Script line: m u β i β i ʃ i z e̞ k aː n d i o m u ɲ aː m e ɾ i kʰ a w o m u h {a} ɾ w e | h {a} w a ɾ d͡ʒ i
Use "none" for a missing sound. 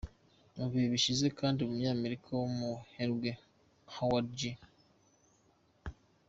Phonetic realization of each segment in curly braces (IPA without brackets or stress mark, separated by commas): e, a